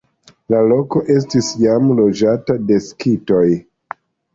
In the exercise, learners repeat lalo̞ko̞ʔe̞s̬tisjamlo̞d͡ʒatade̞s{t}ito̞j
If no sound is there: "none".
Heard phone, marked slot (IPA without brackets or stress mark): k